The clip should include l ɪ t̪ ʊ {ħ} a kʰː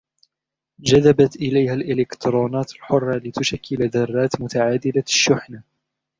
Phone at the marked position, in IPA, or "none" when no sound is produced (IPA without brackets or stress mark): ʃ